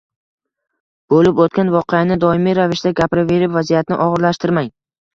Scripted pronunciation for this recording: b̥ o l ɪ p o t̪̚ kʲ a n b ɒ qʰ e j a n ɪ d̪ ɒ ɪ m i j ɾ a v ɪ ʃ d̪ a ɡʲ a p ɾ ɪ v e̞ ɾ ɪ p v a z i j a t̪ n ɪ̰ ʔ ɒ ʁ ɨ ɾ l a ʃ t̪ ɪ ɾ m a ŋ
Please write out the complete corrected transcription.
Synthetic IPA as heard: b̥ o l ɪ p o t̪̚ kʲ a n v ɒ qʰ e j a n ɪ d̪ ɒ ɪ m i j ɾ a v ɪ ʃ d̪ a ɡʲ a p ɾ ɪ v e̞ ɾ ɪ p v a z i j a t̪ n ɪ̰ ʔ ɒ ʁ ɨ ɾ l a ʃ t̪ ɪ ɾ m a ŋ

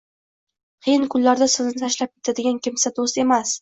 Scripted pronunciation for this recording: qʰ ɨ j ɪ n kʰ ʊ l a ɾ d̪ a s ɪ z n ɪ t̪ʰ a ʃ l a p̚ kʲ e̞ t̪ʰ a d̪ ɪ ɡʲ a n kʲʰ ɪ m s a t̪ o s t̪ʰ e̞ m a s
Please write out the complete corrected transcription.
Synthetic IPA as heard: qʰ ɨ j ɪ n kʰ ʊ lː a ɾ d̪ a s ɪ z n ɪ t̪ʰ a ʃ l a p̚ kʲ e̞ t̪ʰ a d̪ ɪ ɡʲ a n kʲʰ ɪ m s a d̪ o s t̪ e̞ m a s

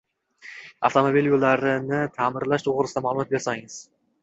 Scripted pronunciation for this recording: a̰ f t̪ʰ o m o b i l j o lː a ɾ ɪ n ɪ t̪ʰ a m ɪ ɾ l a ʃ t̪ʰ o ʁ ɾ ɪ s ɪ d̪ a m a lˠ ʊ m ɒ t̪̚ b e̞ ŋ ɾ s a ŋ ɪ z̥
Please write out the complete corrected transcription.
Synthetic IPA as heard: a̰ f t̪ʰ o m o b i l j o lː a ɾ ɪ n ɪ t̪ʰ a m ɪ ɾ l a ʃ t̪ʰ o ʁ ɾ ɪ s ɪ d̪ a m a lˠ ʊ m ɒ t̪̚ b e̞ ɾ s a ŋ ɪ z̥

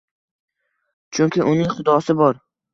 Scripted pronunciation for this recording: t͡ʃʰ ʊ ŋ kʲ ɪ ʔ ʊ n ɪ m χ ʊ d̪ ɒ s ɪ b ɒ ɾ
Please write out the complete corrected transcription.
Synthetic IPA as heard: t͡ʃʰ ʊ ŋ kʲ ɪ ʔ ʊ n ɪ ŋ χ ʊ d̪ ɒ s ɪ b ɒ ɾ

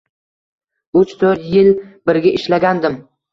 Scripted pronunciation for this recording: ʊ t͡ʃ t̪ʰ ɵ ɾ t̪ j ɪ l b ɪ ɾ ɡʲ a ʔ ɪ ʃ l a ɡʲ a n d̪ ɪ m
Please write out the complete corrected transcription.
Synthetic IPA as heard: ʊ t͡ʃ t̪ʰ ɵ ɾ t̪ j ɪ l b ɪ ɾ ɡʲ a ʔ ɪ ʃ l a ɡʲ a n d̪ ɪ m

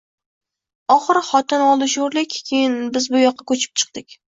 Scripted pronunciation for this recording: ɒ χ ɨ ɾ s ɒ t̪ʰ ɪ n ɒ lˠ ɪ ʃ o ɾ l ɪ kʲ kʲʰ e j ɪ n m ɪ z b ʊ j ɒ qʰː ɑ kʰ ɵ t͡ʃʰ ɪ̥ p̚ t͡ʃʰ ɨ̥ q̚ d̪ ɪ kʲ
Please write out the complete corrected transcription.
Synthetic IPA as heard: ɒ χ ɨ ɾ χ ɒ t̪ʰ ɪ n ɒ lˠ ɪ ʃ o ɾ l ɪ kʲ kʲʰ e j ɪ n b ɪ z b ʊ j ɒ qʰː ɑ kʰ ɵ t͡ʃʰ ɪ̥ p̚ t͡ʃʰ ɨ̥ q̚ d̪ ɪ kʲ

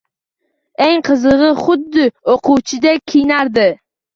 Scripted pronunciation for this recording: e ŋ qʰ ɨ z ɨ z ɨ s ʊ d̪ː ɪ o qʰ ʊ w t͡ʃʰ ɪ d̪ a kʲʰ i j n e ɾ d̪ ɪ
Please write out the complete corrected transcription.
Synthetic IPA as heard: e ŋ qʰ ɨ z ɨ ʁ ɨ χ ʊ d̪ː ɪ o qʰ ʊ w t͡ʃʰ ɪ d̪ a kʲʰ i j n a ɾ d̪ ɪ

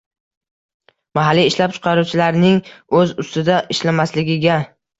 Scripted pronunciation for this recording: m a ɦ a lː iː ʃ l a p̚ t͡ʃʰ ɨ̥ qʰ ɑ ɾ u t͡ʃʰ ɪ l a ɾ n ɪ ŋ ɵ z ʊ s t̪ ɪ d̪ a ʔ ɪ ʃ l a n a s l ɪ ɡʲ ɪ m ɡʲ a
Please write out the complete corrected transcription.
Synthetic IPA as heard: m a ɦ a lː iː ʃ l a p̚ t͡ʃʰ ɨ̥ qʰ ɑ ɾ u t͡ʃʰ ɪ l a ɾ n ɪ ŋ ɵ z ʊ s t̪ ɪ d̪ a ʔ ɪ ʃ l a m a s l ɪ ɡʲ ɪ ɡʲ a

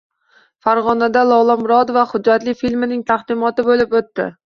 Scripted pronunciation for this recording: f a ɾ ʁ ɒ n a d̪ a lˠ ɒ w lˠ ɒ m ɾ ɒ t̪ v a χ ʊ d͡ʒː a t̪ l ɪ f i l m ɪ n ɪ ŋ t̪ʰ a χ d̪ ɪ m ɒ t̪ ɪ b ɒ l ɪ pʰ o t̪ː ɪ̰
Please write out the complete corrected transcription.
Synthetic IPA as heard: f a ɾ ʁ ɒ n a d̪ a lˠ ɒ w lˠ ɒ m ɾ ɒ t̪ v a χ ʊ d͡ʒː a t̪ l ɪ f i l m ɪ n ɪ ŋ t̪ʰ a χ d̪ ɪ m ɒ t̪ ɪ b o l ɪ p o t̪ː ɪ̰

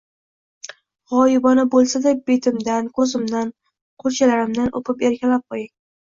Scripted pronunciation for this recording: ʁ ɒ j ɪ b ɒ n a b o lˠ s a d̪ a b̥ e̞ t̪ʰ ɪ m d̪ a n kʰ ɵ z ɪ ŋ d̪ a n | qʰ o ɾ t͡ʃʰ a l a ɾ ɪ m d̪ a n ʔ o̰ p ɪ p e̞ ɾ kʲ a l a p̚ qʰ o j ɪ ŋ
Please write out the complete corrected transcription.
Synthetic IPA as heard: ʁ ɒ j ɪ b ɒ n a b o lˠ s a d̪ a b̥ e̞ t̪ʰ ɪ m d̪ a n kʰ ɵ z ɪ m d̪ a n | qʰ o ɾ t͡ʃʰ a l a ɾ ɪ m d̪ a n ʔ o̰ p ɪ p e̞ ɾ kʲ a l a p̚ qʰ o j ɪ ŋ

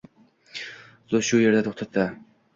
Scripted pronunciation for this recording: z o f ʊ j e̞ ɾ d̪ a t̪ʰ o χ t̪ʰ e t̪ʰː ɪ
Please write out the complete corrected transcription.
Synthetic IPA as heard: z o ʃ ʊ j e̞ ɾ d̪ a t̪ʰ o χ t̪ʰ a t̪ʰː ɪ

